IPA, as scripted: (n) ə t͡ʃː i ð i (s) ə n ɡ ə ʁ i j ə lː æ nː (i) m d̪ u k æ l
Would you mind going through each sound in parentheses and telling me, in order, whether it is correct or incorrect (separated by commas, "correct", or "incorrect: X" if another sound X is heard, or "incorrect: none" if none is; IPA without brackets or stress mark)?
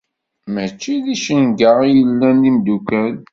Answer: incorrect: m, incorrect: ʃ, correct